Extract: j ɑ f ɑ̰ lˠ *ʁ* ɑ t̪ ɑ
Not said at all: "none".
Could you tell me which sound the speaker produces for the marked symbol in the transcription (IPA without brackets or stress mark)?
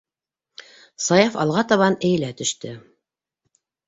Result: ʁ